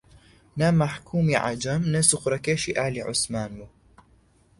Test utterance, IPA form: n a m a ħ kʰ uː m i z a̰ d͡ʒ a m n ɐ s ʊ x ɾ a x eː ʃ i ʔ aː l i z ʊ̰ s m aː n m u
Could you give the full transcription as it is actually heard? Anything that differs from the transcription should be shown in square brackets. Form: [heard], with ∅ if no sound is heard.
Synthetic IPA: n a m a ħ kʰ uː m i [ʕ] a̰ d͡ʒ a m n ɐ s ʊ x ɾ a [k] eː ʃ i ʔ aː l i [ʕ] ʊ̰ s m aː n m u